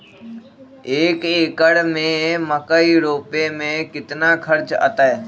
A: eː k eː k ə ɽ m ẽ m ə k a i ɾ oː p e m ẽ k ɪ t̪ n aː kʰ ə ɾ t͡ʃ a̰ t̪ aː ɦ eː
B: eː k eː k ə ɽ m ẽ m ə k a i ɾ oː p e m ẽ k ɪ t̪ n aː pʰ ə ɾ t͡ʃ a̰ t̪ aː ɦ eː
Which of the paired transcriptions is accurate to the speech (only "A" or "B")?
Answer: A